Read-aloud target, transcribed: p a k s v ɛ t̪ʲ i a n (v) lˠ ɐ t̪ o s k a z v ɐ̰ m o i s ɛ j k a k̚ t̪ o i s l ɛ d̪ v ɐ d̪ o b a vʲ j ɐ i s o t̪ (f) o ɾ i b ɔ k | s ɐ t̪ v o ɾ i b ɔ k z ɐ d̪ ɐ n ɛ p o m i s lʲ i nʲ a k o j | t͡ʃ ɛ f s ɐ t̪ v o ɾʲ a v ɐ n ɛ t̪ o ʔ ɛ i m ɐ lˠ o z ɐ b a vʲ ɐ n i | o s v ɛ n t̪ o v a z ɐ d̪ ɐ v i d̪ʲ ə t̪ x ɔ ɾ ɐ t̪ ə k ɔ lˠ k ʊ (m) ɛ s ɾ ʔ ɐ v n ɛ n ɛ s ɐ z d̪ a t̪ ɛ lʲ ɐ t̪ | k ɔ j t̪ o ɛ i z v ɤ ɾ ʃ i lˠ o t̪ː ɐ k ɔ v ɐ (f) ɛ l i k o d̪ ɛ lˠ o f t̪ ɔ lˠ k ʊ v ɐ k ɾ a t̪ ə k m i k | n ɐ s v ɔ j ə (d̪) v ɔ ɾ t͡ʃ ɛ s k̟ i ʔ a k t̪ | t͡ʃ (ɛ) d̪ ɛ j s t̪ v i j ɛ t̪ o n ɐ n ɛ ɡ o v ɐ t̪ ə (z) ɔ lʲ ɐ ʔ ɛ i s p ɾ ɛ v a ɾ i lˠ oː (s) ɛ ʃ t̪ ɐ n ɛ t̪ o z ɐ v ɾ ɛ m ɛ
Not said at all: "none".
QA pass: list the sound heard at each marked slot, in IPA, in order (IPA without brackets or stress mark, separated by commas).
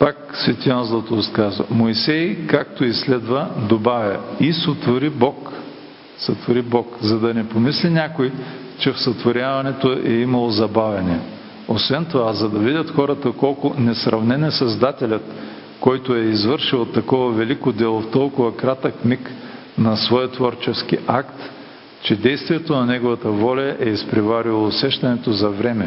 z, v, n, v, t̪, ɛ, v, s